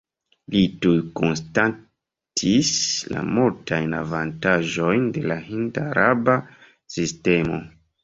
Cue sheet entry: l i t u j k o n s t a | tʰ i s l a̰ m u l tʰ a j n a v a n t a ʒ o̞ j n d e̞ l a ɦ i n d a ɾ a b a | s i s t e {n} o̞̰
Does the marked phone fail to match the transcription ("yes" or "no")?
yes